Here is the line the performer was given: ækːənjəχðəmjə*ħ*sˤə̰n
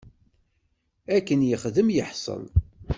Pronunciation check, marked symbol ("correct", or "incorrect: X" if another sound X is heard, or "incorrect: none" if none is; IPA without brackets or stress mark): correct